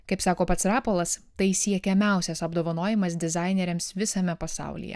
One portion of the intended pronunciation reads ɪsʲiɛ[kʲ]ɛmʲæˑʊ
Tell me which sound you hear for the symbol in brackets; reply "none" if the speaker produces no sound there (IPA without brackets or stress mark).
kʲ